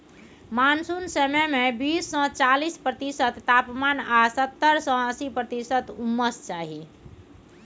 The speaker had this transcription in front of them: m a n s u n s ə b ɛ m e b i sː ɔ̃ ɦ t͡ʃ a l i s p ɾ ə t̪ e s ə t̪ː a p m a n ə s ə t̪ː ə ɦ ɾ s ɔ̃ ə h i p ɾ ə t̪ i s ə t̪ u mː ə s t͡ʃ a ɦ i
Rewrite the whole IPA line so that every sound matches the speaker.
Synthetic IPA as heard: m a n s u n s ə m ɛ m e b i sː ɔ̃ t͡ʃ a l i s p ɾ ə t̪ i s ə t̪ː a p m a n a s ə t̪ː ə ɾ s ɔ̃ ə s i p ɾ ə t̪ i s ə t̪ u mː ə s t͡ʃ a ɦ i